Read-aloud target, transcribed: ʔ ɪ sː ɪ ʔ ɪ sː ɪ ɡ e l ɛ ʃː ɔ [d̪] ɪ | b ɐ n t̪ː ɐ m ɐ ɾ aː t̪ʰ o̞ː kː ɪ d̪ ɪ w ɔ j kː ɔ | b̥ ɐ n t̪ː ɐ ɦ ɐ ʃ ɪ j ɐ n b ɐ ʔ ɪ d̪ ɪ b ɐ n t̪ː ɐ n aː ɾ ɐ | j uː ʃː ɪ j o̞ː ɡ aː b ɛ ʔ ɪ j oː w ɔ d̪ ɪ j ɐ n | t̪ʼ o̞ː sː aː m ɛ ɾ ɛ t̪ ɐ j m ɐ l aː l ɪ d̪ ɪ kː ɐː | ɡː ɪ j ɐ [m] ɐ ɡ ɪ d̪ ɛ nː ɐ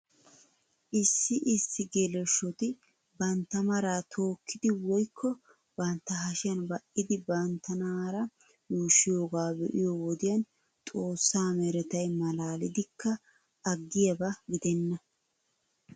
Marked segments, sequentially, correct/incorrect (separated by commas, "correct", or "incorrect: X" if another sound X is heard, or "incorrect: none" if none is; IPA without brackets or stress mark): incorrect: t̪, incorrect: b